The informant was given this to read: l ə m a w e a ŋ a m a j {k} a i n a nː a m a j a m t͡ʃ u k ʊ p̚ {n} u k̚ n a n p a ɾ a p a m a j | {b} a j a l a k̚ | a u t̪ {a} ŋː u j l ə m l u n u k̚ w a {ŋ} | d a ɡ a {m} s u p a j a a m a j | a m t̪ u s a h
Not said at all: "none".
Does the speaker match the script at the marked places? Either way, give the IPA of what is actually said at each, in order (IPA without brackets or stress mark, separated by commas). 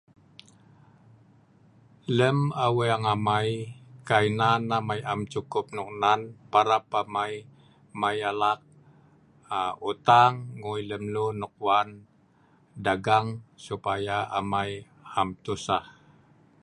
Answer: k, n, m, a, n, ŋ